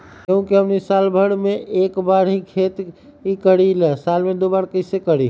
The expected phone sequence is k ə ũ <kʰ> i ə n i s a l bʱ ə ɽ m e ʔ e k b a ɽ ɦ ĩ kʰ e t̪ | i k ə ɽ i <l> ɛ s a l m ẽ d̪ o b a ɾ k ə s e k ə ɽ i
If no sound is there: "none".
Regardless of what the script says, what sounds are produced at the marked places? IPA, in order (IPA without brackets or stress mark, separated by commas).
k, l